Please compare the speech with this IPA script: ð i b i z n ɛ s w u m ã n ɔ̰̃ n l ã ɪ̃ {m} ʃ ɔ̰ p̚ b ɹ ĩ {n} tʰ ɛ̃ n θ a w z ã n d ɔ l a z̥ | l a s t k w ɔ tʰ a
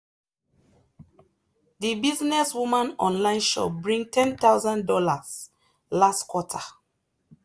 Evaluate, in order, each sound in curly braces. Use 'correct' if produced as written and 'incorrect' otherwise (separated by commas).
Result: incorrect, incorrect